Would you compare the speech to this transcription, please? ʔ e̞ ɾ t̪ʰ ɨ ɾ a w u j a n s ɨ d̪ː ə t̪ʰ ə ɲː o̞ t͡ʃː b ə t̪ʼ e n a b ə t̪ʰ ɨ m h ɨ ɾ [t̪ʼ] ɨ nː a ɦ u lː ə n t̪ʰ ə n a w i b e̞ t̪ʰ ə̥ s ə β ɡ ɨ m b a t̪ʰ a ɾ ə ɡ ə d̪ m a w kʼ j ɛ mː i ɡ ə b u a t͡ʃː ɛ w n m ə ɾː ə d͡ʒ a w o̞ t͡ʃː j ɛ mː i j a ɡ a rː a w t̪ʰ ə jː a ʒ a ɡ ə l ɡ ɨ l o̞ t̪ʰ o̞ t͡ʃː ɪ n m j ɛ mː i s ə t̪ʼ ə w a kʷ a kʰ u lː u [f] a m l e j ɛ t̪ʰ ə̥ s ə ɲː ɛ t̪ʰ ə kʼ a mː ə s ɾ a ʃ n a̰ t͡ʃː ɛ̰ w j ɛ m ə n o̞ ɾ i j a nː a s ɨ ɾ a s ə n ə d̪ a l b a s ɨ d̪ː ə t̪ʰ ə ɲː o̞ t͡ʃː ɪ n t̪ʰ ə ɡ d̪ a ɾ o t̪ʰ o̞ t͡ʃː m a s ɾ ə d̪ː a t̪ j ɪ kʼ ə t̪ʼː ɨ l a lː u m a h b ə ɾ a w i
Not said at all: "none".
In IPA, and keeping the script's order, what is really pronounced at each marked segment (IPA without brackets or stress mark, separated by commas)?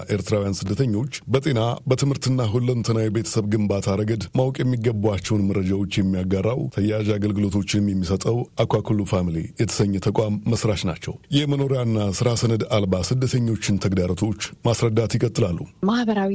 t̪, f